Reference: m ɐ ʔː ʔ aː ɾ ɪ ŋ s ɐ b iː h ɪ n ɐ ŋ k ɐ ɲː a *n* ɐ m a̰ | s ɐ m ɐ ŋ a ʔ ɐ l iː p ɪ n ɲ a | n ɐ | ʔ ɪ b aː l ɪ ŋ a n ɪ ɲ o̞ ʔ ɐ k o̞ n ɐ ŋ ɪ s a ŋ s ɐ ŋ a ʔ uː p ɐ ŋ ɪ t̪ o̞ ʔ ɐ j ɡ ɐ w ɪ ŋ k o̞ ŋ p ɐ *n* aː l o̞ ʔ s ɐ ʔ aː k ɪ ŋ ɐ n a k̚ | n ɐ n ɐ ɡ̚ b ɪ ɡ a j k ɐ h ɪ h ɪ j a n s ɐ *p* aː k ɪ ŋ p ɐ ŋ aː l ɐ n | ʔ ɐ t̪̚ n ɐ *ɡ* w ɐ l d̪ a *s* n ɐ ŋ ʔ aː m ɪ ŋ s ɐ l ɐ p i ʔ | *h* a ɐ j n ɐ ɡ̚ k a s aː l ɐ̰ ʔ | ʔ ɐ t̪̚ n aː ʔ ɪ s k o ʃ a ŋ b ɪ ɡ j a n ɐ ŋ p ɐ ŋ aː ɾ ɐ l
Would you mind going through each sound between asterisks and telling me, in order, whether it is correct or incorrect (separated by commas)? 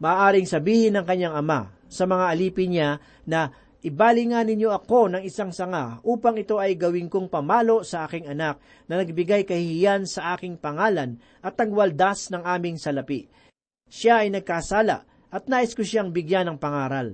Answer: incorrect, incorrect, incorrect, correct, correct, incorrect